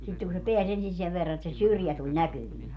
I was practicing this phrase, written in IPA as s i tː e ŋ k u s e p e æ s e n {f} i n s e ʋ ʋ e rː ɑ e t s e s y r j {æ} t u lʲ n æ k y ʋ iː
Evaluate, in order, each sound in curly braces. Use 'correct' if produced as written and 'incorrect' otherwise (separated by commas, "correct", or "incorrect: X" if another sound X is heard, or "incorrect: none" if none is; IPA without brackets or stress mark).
incorrect: s, correct